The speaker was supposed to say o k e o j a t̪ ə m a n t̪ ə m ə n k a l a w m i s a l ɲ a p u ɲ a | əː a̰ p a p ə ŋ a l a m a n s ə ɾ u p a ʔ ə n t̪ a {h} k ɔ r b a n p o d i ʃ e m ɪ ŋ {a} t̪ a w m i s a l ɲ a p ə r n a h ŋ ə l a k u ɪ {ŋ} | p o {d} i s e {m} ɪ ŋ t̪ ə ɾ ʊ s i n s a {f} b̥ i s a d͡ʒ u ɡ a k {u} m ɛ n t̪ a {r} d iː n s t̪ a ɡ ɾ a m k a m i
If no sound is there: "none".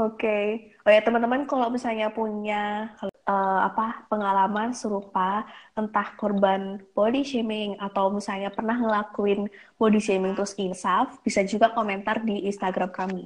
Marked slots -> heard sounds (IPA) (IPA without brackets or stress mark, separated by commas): h, a, n, d, m, f, o, r